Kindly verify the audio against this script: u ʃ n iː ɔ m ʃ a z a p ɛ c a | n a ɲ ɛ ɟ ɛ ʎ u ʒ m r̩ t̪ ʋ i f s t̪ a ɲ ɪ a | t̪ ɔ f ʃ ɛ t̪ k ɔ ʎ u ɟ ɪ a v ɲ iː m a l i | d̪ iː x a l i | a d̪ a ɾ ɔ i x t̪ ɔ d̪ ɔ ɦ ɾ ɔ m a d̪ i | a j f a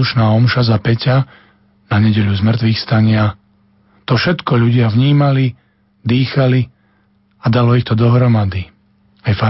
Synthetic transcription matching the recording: u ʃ n aː ɔ m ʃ a z a p ɛ c a | n a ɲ ɛ ɟ ɛ ʎ u z m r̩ t̪ ʋ i x s t̪ a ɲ ɪ a | t̪ ɔ f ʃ ɛ t̪ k ɔ ʎ u ɟ ɪ a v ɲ iː m a l i | d̪ iː x a l i | a d̪ a l ɔ i x t̪ ɔ d̪ ɔ ɦ ɾ ɔ m a d̪ i | a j f a